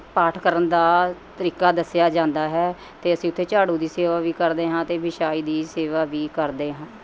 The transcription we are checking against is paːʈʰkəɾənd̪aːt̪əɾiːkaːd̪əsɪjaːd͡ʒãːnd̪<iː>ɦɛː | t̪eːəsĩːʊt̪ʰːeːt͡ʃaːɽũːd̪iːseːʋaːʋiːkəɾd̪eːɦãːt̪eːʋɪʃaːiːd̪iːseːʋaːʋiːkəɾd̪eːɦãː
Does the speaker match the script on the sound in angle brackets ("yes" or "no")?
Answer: no